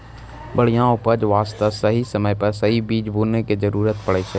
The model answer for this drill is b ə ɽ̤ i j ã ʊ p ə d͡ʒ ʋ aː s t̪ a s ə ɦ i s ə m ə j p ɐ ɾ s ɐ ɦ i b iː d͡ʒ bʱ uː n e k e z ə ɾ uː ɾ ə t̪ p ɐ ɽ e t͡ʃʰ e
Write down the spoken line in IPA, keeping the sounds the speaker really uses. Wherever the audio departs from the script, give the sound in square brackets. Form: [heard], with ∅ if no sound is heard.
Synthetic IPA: b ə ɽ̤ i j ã ʊ p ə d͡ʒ ʋ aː s t̪ a s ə ɦ i s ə m ə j p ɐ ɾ s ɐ ɦ i b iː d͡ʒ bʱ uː n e k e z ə ɾ uː ɾ ə t̪ p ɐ ɽ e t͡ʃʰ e